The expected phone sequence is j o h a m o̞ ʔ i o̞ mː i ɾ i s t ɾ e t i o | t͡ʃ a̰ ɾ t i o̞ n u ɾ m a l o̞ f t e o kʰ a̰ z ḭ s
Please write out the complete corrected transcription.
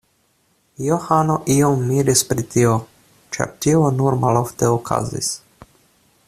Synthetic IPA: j o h a n o̞ ʔ i o̞ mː i ɾ i s p ɾ i t i o | t͡ʃ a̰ ɾ t i o̞ n u ɾ m a l o̞ f t e o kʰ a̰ z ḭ s